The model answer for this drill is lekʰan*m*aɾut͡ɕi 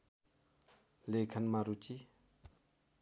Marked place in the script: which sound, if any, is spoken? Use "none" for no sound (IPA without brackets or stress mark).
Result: m